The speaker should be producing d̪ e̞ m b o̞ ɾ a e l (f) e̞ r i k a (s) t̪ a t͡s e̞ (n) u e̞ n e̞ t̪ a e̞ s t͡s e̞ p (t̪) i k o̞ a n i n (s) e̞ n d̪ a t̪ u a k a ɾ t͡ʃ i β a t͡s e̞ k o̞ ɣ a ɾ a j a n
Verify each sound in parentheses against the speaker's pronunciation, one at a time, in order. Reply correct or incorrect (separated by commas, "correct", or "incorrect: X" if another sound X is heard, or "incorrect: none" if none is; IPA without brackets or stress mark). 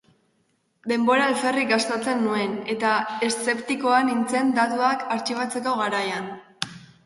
correct, correct, incorrect: nː, correct, incorrect: t͡s